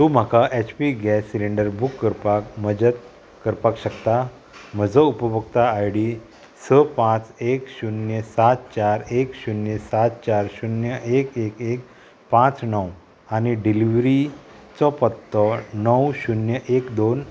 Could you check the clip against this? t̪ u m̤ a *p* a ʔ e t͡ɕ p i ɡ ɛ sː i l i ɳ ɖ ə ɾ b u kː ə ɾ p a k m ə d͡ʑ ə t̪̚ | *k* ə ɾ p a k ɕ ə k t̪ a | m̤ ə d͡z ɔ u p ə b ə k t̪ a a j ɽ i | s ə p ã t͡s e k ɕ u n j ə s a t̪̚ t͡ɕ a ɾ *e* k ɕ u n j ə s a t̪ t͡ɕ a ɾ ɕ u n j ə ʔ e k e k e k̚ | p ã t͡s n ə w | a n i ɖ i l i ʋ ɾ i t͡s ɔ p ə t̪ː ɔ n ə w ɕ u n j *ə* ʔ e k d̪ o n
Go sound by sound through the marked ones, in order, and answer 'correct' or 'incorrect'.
incorrect: k, correct, correct, correct

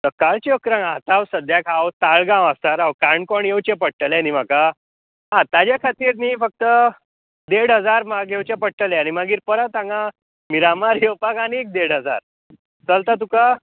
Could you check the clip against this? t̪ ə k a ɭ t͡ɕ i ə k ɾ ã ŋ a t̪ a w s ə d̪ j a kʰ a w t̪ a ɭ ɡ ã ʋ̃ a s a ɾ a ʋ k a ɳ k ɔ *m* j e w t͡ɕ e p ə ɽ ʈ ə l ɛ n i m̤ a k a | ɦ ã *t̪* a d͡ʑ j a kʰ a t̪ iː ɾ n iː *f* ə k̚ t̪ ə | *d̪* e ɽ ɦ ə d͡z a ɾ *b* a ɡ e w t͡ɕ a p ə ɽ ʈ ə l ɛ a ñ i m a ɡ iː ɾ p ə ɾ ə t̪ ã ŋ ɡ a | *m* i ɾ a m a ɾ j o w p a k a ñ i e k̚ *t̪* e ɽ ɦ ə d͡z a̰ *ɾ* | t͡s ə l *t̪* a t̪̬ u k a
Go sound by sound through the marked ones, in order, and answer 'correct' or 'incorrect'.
incorrect: ɳ, correct, correct, correct, incorrect: m, correct, incorrect: d̪, correct, correct

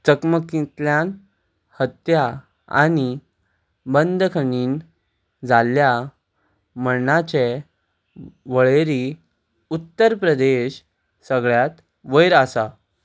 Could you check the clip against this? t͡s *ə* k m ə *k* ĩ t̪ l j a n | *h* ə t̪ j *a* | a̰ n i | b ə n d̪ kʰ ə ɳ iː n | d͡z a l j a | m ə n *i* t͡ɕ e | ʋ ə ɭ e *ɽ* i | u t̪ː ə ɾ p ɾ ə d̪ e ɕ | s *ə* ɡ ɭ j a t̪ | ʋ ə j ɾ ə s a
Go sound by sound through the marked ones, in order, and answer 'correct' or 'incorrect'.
correct, correct, correct, correct, incorrect: a, incorrect: ɾ, correct

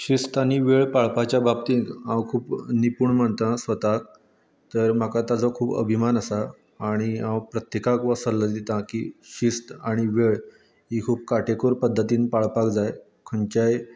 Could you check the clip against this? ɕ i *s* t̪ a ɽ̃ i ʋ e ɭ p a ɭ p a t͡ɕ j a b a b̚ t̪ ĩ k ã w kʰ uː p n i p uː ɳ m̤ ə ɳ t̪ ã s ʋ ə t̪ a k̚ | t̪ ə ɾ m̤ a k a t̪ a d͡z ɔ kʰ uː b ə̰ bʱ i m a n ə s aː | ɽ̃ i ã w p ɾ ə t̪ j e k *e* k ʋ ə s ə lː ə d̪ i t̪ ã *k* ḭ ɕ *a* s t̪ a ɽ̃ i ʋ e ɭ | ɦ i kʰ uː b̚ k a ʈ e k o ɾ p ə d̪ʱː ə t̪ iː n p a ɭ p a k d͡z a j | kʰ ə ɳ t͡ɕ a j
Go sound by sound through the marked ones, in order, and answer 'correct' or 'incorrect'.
correct, incorrect: a, correct, incorrect: i

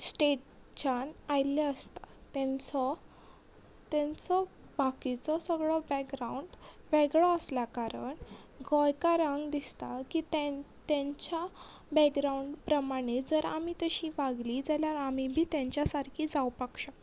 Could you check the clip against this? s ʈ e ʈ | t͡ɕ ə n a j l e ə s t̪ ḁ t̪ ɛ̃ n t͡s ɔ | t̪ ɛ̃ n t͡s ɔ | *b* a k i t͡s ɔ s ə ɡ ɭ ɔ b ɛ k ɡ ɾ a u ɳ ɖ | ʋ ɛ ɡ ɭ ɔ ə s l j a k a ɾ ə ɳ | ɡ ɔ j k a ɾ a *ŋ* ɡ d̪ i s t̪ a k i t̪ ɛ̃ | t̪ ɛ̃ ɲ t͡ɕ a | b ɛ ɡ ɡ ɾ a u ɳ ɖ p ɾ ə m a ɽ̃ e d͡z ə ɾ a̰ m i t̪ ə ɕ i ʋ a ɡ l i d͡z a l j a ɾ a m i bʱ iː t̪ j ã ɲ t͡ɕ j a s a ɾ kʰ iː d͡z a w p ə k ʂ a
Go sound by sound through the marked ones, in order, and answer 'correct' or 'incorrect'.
correct, correct

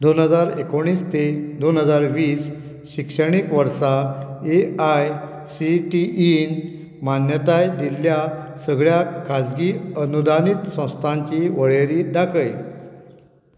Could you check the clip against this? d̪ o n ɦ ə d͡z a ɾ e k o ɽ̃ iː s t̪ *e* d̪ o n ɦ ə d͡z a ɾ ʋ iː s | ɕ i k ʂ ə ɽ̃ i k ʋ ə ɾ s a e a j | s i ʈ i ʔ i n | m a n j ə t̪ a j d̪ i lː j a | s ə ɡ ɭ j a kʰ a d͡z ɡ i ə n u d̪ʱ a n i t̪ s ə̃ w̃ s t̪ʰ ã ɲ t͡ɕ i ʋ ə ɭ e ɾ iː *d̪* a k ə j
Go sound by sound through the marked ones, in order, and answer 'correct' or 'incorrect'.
correct, correct

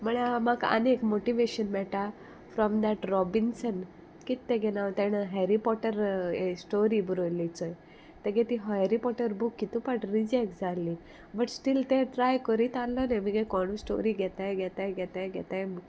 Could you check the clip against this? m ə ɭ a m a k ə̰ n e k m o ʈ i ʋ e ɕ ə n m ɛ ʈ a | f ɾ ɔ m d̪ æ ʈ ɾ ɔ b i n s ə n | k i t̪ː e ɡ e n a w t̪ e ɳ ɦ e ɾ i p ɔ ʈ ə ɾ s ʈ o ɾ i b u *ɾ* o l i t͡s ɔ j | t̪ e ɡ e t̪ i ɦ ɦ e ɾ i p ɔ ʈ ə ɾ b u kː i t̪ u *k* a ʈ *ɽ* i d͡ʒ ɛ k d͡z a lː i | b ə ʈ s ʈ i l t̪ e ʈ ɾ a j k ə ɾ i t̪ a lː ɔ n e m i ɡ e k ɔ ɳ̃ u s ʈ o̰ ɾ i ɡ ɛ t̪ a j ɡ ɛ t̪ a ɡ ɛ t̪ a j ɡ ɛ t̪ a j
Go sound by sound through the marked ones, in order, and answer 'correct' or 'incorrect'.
correct, incorrect: p, incorrect: ɾ

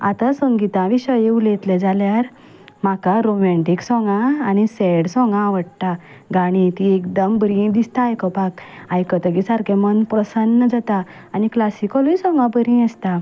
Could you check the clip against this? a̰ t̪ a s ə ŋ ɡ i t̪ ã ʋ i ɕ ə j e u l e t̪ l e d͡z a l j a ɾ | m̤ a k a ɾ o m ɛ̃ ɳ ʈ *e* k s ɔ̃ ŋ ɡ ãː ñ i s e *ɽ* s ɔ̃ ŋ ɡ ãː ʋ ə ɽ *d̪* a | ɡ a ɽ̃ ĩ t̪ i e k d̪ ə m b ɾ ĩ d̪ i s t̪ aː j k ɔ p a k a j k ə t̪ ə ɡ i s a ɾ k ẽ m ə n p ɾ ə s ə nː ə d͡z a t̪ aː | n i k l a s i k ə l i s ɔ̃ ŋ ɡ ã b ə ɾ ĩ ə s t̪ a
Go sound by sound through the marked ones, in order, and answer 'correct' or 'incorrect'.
incorrect: i, correct, incorrect: t̪

